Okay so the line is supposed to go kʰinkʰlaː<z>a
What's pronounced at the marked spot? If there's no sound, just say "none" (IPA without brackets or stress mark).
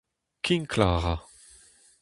ʁ